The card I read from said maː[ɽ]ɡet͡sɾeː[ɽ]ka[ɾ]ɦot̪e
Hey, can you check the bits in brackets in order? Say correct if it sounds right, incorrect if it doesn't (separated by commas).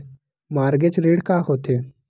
incorrect, correct, incorrect